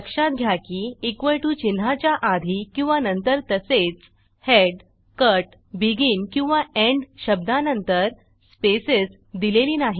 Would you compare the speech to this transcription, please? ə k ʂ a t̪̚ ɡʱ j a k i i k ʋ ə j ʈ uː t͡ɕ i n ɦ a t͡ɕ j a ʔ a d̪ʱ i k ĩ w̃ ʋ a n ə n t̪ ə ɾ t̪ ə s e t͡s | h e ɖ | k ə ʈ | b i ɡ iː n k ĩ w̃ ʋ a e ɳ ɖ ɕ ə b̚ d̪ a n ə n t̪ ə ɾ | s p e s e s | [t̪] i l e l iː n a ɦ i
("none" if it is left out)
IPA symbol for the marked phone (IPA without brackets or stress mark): d̪